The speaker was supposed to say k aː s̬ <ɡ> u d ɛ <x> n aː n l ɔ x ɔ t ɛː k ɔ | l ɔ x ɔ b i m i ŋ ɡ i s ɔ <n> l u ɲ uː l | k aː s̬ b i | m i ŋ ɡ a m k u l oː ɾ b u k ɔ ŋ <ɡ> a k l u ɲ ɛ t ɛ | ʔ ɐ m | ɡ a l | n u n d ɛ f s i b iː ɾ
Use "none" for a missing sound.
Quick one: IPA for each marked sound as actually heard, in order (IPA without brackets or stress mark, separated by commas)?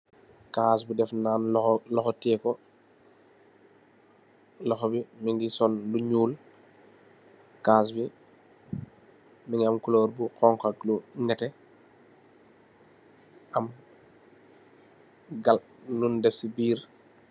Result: b, f, n, k